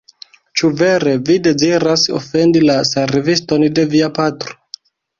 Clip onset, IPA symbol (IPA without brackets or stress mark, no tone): t͡ʃ